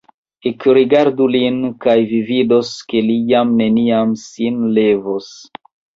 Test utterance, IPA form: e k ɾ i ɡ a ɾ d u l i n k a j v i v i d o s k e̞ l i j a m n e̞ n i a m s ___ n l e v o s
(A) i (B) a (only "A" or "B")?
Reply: A